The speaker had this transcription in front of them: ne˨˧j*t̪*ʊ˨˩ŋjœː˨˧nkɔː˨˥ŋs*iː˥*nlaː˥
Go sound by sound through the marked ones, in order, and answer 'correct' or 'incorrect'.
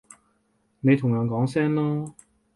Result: incorrect: t̪ʰ, incorrect: ɛː˥

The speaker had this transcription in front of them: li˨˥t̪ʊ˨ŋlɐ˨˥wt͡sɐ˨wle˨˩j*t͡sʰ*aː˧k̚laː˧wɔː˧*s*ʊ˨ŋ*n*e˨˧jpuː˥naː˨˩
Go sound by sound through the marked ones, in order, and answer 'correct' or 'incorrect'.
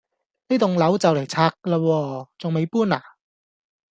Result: correct, incorrect: t͡s, incorrect: m

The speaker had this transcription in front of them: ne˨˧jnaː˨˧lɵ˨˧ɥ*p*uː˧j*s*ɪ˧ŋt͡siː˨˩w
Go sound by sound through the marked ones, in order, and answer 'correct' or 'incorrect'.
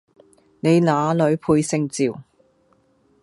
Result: incorrect: pʰ, correct

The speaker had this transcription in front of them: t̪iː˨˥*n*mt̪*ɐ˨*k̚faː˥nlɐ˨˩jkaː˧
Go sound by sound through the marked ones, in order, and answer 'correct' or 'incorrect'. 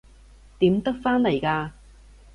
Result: incorrect: none, incorrect: ɐ˥

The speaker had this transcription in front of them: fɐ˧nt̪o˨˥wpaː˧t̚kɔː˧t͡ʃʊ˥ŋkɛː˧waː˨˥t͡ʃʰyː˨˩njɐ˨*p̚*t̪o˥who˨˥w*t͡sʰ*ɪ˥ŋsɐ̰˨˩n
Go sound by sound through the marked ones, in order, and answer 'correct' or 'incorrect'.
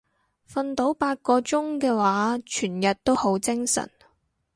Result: incorrect: t̚, incorrect: t͡s

